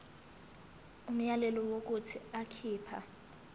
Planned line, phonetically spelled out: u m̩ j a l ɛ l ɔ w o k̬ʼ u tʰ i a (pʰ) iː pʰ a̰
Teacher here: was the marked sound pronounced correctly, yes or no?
no